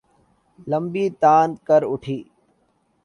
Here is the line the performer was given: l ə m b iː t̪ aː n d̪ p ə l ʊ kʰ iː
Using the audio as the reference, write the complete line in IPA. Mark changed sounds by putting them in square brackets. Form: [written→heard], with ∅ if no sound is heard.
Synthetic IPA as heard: l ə m b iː t̪ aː n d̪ [p→k] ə [l→ɾ] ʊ [kʰ→ʈʰ] iː